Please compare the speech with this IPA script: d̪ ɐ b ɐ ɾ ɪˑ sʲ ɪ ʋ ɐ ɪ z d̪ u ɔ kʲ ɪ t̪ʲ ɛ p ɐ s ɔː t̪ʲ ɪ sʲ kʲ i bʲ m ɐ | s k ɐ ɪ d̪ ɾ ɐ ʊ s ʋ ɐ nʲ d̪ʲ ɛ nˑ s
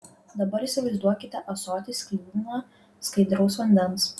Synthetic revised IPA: d̪ ɐ b ɐ ɾ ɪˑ sʲ ɪ ʋ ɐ ɪ z d̪ u ɔ kʲ ɪ t̪ʲ ɛ ʔ ɐ s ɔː t̪ʲ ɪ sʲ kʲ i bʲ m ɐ | s k ɐ ɪ d̪ ɾ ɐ ʊ s ʋ ɐ nʲ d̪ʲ ɛ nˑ s